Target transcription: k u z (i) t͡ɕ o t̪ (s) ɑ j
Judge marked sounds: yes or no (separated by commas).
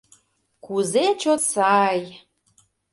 no, yes